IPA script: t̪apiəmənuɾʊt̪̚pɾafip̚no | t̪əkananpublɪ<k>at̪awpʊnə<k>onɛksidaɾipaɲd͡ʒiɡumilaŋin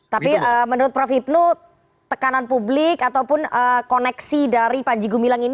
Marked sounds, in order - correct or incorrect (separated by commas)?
correct, correct